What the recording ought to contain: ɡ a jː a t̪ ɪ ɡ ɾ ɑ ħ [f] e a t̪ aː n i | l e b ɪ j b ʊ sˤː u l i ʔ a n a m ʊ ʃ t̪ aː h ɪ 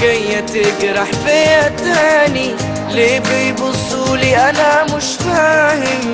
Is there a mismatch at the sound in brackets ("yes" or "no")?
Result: no